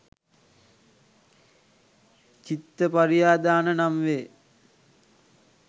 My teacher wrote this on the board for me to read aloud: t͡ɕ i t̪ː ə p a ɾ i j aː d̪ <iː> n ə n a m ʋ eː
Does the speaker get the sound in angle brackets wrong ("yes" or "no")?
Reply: yes